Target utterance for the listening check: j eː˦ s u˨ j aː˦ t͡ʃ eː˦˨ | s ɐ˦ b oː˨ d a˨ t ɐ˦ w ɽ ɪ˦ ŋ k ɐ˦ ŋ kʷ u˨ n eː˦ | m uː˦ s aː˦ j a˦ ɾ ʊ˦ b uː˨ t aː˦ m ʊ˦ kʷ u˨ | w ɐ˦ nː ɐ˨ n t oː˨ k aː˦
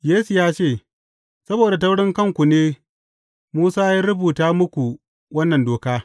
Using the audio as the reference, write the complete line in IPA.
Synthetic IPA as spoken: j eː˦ s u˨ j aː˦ t͡ʃ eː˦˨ | s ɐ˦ b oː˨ d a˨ t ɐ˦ w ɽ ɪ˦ ŋ k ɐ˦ ŋ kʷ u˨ n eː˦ | m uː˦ s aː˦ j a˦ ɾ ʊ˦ b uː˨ t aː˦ m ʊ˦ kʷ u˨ | w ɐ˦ nː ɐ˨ n d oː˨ k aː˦

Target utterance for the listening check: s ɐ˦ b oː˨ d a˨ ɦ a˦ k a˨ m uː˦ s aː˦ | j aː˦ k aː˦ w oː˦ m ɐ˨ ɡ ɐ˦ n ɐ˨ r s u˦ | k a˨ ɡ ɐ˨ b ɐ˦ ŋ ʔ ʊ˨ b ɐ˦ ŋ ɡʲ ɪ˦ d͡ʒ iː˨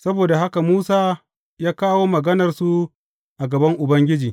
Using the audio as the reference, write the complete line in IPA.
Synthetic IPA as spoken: s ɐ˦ b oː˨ d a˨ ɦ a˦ k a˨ m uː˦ s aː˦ | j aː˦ k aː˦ w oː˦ m ɐ˨ ɡ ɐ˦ n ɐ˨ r s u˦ | ʔ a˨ ɡ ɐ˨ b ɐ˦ ŋ ʔ ʊ˨ b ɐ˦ ŋ ɡʲ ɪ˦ d͡ʒ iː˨

